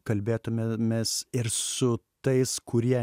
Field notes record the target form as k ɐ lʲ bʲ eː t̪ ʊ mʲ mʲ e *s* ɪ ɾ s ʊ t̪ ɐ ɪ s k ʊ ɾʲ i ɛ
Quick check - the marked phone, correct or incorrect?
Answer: correct